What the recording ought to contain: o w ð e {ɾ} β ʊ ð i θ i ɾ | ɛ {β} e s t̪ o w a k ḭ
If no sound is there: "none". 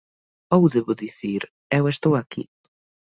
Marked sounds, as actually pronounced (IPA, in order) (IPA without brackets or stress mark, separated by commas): none, w